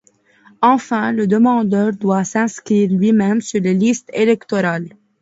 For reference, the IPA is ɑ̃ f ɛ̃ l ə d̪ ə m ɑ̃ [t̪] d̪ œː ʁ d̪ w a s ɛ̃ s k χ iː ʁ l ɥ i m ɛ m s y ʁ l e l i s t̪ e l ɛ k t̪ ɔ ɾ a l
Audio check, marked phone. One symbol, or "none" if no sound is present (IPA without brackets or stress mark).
none